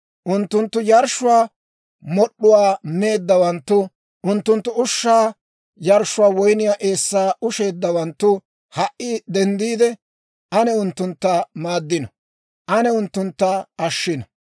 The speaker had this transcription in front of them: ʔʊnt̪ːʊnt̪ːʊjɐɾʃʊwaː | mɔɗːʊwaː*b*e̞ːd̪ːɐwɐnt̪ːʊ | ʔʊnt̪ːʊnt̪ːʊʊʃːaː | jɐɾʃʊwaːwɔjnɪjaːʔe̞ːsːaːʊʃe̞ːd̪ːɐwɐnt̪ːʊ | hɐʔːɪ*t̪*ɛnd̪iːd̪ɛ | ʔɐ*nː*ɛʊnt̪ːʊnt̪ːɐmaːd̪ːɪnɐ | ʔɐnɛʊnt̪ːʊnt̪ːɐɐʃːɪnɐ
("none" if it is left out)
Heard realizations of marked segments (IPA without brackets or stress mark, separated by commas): m, d̪, n